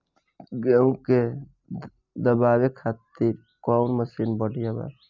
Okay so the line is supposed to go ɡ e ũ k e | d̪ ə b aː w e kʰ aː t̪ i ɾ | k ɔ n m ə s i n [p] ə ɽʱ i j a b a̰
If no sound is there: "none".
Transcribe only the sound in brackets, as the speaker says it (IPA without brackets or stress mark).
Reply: b